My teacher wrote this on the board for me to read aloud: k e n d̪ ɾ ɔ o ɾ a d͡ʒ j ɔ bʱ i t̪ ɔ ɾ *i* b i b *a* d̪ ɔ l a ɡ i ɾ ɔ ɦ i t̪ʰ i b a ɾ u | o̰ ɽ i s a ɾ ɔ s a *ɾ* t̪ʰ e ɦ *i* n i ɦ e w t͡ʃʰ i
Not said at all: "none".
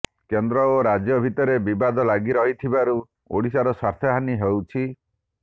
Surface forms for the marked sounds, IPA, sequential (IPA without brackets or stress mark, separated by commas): e, a, ɾ, a